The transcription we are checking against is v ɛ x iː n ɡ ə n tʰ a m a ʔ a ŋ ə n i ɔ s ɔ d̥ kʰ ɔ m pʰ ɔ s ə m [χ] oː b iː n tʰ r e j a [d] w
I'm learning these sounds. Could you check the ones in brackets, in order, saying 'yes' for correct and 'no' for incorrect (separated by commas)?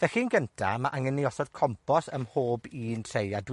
no, yes